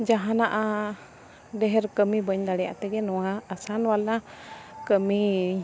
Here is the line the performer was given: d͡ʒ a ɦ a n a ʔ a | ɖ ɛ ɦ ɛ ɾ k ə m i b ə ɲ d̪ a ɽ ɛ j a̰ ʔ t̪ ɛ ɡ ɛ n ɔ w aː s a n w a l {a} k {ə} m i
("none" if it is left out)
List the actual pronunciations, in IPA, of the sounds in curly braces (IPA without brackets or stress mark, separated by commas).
a, ə